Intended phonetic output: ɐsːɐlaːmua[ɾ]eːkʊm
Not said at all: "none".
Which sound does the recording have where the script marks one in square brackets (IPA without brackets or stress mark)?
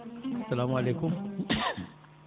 l